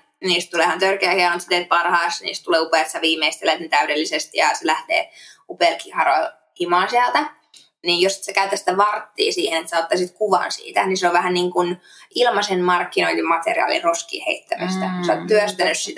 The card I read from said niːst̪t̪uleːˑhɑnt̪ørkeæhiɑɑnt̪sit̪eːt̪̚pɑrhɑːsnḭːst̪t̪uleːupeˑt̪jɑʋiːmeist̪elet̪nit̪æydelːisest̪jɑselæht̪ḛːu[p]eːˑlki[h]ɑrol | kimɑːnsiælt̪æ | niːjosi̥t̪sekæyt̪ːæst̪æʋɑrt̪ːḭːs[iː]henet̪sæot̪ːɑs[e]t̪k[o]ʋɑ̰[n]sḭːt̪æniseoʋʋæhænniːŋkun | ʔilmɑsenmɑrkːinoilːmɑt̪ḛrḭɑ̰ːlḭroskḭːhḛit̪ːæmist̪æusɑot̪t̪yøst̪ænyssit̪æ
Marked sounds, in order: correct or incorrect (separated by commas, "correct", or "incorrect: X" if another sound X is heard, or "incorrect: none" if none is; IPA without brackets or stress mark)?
correct, correct, correct, incorrect: i, incorrect: u, correct